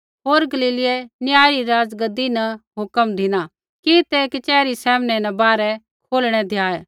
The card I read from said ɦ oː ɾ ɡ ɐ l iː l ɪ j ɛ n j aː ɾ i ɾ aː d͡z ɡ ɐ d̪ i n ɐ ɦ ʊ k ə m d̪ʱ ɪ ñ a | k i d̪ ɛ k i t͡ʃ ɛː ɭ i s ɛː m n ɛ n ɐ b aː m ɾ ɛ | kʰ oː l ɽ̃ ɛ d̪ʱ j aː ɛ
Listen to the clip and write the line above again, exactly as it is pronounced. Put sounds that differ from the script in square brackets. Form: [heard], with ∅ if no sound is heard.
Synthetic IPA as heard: ɦ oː ɾ ɡ ɐ l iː l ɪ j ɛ n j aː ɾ i ɾ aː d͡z ɡ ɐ d̪ i n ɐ ɦ ʊ k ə m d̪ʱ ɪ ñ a | k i [t̪] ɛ k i t͡ʃ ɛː [ɾ] i s ɛː m n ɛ n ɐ b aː [∅] ɾ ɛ | kʰ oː l ɽ̃ ɛ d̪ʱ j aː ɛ